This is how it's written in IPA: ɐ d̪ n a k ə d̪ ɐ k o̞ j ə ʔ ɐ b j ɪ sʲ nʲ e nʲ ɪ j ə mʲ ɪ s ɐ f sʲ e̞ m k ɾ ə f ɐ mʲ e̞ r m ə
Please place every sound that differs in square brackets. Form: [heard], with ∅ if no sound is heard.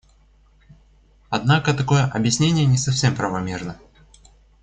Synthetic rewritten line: ɐ d̪ n a k ə [t̪] ɐ k o̞ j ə ʔ ɐ b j ɪ sʲ nʲ e nʲ ɪ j ə [nʲ] ɪ s ɐ f sʲ e̞ m [p] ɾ ə [v] ɐ mʲ e̞ r [n] ə